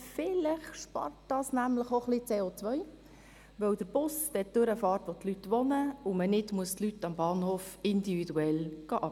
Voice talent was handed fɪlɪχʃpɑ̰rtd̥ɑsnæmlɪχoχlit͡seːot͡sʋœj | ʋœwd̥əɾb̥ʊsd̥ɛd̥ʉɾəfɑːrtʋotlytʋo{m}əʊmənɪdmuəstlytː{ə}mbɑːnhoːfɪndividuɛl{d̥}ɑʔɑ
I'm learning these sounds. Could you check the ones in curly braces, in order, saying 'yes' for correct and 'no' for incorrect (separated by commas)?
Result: no, no, no